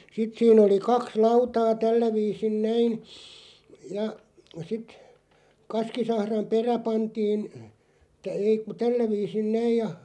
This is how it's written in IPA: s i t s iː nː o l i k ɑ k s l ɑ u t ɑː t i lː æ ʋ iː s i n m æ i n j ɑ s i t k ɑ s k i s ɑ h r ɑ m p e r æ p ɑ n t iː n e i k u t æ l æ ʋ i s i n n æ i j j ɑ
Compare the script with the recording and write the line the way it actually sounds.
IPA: s i t s iː n o l i k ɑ k s l ɑ u t ɑː t æ lː æ ʋ iː s i n n æ i n j ɑ s i t k ɑ s k i s ɑ h r ɑ m p e r æ p ɑ n t iː n e i k u t æ lː æ ʋ iː s i n n æ i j j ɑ